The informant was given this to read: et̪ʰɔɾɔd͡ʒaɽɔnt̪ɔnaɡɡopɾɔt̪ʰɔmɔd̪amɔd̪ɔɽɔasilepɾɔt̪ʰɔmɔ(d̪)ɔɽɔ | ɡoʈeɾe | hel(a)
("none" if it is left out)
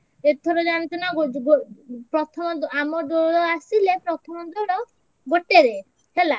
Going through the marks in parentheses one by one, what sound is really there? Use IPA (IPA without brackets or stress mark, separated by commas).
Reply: d̪, a